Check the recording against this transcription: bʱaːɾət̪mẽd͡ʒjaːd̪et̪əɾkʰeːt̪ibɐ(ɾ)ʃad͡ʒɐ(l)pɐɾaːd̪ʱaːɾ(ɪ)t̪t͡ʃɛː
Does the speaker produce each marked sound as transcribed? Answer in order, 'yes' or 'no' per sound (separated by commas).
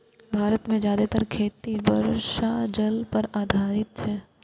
yes, yes, yes